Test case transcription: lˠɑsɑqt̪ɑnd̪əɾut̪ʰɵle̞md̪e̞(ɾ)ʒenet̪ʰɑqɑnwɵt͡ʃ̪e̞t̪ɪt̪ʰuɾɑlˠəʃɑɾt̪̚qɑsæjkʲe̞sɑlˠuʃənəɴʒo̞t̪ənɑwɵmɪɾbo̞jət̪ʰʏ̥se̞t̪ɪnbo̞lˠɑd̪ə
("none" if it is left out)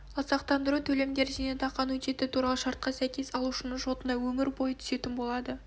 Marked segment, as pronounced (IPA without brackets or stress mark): ɾ